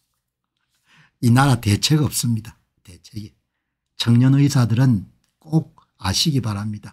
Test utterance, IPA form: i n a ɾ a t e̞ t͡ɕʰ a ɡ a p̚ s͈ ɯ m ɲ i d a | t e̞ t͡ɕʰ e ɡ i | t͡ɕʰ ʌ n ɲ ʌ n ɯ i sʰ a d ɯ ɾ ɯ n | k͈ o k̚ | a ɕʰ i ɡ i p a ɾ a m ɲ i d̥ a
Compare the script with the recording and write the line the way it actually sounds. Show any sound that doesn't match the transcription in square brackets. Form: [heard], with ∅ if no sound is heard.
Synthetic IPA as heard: i n a ɾ a t e̞ t͡ɕʰ [e] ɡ [ʌ] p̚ s͈ ɯ m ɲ i d a | t e̞ t͡ɕʰ e ɡ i | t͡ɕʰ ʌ [ŋ] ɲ ʌ n ɯ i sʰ a d ɯ ɾ ɯ n | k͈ o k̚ | a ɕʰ i ɡ i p a ɾ a m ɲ i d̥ a